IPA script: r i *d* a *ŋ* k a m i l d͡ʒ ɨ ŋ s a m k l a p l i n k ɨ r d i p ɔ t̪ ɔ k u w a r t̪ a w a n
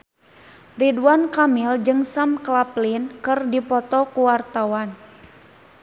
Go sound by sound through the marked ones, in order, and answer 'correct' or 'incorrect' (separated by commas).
correct, incorrect